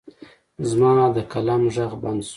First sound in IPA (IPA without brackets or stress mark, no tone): z